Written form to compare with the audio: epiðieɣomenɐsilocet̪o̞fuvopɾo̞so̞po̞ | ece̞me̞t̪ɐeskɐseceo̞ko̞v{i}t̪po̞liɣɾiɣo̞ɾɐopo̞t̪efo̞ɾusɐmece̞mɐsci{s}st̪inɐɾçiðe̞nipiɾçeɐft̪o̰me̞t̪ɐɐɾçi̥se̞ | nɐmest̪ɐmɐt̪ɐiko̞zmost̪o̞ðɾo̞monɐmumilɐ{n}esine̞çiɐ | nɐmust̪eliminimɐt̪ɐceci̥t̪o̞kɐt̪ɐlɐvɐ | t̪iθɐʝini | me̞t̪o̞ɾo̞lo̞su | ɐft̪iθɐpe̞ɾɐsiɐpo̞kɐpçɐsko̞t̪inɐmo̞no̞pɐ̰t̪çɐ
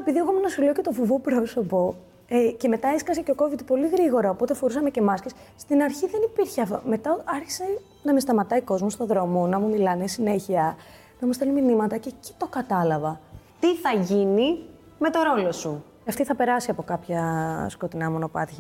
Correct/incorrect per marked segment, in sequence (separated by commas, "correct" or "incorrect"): correct, correct, correct